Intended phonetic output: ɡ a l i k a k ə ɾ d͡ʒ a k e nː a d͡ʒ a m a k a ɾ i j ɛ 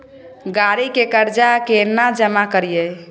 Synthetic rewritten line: ɡ a ɾ i k e k ə ɾ d͡ʒ a k e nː a d͡ʒ ə m a k ə ɾ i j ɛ

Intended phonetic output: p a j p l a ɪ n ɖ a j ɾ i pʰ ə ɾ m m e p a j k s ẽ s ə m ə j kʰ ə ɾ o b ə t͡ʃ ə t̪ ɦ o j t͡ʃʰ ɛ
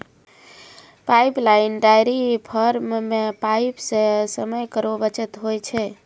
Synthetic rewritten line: p a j p l a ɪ n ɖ a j ɾ i pʰ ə ɾ m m e p a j p s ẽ s ə m ə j k ə ɾ o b ə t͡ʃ ə t̪ ɦ o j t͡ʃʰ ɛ

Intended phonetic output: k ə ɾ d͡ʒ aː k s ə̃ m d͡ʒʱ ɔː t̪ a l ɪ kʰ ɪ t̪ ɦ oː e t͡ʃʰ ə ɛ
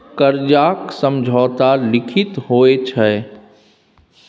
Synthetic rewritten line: k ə ɾ d͡ʒ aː k s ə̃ m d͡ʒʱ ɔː t̪ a l ɪ kʰ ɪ t̪ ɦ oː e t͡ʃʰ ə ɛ

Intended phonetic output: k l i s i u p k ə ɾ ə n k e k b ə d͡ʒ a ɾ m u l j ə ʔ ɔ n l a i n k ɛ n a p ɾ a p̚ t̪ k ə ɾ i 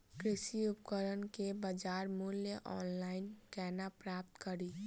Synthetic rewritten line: k ɾ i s i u p k ə ɾ ə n k e b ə d͡ʒ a ɾ m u l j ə ʔ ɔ n l a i n k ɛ n a p ɾ a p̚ t̪ k ə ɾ i

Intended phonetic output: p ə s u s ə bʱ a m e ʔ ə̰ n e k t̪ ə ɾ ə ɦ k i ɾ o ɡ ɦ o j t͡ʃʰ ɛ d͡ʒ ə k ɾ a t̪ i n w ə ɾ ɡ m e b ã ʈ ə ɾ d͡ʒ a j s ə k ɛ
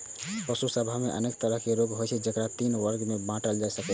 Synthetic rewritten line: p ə s u s ə bʱ a m e ʔ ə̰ n e k t̪ ə ɾ ə ɦ k e ɾ o ɡ ɦ o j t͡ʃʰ ɛ d͡ʒ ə k ɾ a t̪ i n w ə ɾ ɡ m e b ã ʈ ə l d͡ʒ a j s ə k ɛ

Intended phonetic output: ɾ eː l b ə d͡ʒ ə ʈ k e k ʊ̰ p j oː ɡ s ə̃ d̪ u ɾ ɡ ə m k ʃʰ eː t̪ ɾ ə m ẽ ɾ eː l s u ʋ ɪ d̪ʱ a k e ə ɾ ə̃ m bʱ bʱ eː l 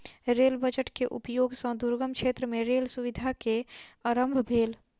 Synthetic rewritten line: ɾ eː l b ə d͡ʒ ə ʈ k e ʔ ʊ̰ p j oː ɡ s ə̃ d̪ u ɾ ɡ ə m k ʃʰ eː t̪ ɾ ə m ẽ ɾ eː l s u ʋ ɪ d̪ʱ a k e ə ɾ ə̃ m bʱ bʱ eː l

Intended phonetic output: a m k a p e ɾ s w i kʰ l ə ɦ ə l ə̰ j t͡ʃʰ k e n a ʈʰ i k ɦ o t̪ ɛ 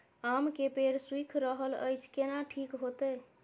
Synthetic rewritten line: a m k e p e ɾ s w i kʰ ɾ ə ɦ ə l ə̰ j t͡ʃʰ k e n a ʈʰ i k ɦ o t̪ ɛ

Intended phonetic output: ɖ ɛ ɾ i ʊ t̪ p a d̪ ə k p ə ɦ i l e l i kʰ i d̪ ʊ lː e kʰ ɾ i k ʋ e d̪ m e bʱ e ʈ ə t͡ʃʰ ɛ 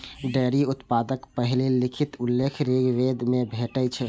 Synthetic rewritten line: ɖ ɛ ɾ i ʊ t̪ p a d̪ ə k p ə ɦ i l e l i kʰ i t̪ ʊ lː e kʰ ɾ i ɡ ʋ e d̪ m e bʱ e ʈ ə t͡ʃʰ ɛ

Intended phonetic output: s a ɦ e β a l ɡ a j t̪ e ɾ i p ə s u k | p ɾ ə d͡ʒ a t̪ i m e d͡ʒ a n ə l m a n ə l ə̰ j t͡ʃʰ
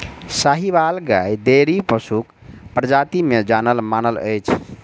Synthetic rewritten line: s a ɦ i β a l ɡ a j d̪ e ɾ i p ə s u k | p ɾ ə d͡ʒ a t̪ i m e d͡ʒ a n ə l m a n ə l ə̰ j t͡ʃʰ

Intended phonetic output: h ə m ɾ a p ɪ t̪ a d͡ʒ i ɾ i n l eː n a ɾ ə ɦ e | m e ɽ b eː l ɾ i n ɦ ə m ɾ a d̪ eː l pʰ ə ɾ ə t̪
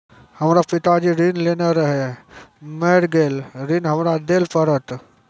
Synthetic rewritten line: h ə m ɾ a p ɪ t̪ a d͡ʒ i ɾ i n l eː n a ɾ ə ɦ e | m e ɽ ɡ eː l ɾ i n ɦ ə m ɾ a d̪ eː l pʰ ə ɾ ə t̪

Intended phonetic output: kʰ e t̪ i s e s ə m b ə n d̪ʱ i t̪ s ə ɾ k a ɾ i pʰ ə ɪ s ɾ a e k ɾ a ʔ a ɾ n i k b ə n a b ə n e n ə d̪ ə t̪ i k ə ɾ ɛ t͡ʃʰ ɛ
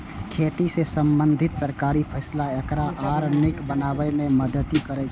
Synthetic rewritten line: kʰ e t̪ i s e s ə m b ə n d̪ʱ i t̪ s ə ɾ k a ɾ i pʰ ə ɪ s l a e k ɾ a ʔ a ɾ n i k b ə n a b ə m e m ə d̪ ə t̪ i k ə ɾ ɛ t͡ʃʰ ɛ

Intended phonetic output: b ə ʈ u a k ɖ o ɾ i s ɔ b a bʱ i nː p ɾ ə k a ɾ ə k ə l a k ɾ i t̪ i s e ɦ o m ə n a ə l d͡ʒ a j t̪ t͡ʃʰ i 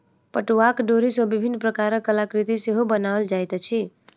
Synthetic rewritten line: p ə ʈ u a k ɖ o ɾ i s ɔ b i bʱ i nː p ɾ ə k a ɾ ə k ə l a k ɾ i t̪ i s e ɦ o b ə n a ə l d͡ʒ a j t̪ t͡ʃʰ i

